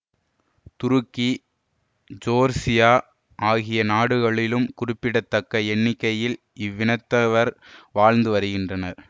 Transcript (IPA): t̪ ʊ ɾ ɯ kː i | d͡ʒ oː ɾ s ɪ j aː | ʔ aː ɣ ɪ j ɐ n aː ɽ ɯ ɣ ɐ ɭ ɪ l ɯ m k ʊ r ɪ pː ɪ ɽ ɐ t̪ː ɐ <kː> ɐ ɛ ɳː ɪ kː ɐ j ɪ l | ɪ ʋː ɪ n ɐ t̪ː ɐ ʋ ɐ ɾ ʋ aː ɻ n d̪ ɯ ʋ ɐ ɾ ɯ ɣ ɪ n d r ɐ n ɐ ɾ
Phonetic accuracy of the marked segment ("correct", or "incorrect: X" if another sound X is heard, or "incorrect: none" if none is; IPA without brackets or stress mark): correct